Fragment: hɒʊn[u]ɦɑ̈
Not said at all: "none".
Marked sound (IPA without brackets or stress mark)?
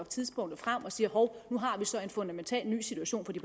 u